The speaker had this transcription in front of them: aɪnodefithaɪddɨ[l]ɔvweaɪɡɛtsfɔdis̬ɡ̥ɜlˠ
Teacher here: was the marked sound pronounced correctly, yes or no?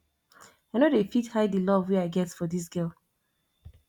yes